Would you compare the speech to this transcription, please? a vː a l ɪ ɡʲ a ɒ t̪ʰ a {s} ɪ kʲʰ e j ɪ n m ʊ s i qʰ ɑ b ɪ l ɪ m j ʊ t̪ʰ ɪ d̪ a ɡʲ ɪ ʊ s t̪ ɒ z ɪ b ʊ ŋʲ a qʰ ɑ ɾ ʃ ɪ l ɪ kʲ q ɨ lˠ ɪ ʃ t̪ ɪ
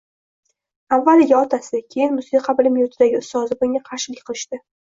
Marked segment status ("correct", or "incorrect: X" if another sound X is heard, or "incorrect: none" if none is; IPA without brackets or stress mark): correct